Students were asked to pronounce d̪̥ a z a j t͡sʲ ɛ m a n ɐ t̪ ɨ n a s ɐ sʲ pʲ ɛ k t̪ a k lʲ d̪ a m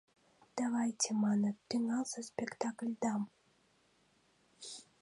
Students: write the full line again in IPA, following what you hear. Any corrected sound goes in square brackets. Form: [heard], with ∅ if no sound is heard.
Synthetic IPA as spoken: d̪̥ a [v] a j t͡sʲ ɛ m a n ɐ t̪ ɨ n a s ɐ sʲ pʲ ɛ k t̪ a k lʲ d̪ a m